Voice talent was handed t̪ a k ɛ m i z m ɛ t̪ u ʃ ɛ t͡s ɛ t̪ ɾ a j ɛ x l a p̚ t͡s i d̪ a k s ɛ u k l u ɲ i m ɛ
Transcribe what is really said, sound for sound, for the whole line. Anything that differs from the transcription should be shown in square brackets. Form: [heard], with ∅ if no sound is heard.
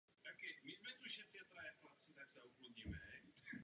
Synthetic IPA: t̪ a k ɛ m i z m ɛ t̪ u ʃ ɛ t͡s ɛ t̪ ɾ a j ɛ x l a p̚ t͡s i [t̪] a k s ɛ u k l u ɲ i m ɛ